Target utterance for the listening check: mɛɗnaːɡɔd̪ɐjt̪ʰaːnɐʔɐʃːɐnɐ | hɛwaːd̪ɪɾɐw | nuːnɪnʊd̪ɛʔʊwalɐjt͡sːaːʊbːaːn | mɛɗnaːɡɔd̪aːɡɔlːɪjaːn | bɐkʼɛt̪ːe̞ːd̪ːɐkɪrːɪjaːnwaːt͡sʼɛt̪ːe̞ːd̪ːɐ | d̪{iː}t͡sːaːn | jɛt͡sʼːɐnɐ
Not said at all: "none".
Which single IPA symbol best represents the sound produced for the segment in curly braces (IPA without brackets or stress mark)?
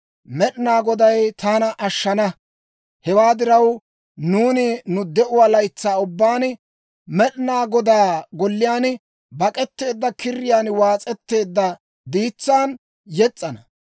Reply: iː